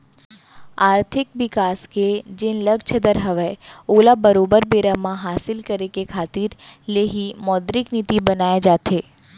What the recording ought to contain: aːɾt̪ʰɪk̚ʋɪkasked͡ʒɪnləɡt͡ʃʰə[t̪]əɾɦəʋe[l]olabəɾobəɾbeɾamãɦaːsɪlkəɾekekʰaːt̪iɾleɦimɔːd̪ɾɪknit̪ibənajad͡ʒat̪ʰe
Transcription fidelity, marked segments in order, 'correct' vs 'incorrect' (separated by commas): incorrect, incorrect